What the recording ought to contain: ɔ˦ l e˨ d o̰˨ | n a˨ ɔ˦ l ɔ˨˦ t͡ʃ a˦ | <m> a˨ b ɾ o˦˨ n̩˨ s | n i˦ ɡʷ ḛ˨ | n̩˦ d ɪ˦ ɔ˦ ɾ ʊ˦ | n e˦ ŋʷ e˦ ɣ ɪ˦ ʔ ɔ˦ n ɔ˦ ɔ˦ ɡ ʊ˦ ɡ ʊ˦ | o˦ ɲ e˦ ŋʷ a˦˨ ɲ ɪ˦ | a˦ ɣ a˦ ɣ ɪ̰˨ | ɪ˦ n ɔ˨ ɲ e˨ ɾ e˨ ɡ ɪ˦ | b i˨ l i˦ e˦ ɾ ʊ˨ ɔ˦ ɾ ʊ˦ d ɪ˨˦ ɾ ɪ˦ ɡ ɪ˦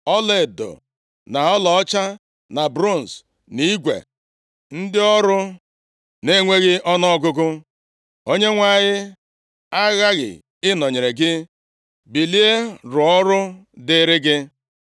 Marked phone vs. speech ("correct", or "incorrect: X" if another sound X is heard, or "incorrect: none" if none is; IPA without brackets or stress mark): incorrect: n